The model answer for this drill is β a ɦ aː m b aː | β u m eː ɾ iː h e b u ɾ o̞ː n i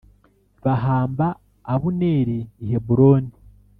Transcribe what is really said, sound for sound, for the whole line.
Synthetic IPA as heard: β a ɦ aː m b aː | β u n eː ɾ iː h e b u ɾ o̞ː n i